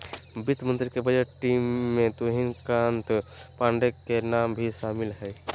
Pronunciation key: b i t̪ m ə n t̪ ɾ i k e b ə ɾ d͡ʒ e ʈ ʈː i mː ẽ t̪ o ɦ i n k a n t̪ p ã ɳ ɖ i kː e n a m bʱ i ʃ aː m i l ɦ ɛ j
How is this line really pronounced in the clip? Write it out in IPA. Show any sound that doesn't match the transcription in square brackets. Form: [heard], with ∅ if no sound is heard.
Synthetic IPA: b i t̪ m ə n t̪ ɾ i k e b ə [∅] d͡ʒ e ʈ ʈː i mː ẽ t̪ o ɦ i n k a n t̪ p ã ɳ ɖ [e] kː e n a m bʱ i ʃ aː m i l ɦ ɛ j

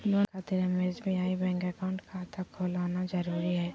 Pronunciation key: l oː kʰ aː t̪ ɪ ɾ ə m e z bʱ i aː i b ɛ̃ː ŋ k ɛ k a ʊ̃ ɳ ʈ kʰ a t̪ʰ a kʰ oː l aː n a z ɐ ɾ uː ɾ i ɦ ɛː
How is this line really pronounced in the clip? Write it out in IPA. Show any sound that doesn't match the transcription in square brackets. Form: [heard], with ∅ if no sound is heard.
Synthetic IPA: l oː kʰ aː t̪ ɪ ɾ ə m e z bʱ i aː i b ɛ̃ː ŋ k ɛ k a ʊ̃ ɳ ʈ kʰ a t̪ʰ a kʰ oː l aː n a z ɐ ɾ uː ɾ i ɦ ɛː

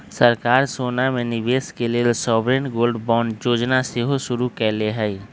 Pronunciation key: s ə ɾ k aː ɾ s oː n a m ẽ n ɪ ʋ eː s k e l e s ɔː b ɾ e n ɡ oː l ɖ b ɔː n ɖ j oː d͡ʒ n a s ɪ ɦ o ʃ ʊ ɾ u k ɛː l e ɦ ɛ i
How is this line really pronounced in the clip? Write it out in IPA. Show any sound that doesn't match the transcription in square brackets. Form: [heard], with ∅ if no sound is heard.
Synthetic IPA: s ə ɾ k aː ɾ s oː n a m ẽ n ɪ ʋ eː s k e l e s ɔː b ɾ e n ɡ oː l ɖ b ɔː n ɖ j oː d͡ʒ n a s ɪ ɦ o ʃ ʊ ɾ u k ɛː l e ɦ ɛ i

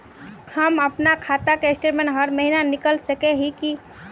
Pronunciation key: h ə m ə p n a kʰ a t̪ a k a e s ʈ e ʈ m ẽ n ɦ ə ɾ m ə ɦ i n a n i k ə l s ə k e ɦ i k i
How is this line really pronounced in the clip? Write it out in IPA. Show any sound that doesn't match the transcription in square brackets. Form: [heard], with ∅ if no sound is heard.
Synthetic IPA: h ə m ə p n a kʰ a t̪ a k [e] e s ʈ e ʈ m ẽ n ɦ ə ɾ m ə ɦ i n a n i k ə l s ə k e ɦ i k i

